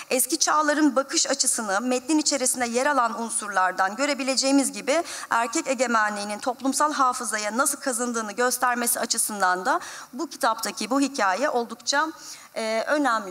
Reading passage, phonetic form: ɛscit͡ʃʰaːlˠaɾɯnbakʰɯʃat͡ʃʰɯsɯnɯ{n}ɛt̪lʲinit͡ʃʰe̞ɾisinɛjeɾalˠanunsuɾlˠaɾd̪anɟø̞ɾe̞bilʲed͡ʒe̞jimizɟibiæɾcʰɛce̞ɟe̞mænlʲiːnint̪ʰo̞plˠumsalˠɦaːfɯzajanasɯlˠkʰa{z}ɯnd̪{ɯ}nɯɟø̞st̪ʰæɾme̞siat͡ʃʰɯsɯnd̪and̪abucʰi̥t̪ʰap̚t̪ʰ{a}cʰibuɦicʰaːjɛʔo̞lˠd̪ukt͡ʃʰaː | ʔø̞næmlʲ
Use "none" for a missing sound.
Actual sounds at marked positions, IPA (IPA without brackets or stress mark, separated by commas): m, z, ɯː, a